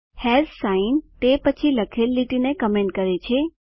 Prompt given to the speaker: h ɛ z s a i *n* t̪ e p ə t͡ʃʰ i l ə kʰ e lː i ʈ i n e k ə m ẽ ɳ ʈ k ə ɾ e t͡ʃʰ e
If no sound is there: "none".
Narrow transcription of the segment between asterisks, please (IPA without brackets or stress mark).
n